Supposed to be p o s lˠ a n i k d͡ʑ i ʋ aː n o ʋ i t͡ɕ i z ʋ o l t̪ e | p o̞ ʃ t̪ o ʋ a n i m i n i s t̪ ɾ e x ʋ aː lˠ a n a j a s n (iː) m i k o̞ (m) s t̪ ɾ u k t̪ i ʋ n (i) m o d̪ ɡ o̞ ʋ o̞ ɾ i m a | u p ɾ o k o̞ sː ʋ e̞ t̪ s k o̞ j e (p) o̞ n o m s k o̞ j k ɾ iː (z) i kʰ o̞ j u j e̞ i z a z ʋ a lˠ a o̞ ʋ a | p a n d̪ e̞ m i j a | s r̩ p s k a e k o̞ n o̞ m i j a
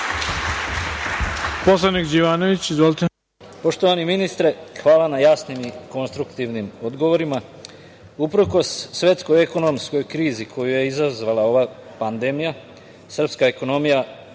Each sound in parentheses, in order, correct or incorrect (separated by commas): incorrect, incorrect, correct, incorrect, correct